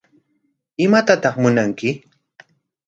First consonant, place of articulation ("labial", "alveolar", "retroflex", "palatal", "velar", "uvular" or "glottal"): labial